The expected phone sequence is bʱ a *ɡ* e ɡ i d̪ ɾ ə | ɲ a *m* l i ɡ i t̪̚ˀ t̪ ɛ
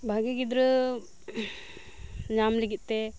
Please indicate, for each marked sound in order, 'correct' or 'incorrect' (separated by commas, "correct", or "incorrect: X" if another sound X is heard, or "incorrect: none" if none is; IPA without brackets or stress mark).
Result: correct, correct